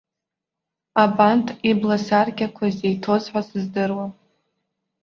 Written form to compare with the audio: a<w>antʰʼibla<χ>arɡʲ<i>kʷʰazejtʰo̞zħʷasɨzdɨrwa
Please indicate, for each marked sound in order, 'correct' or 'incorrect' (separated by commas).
incorrect, incorrect, incorrect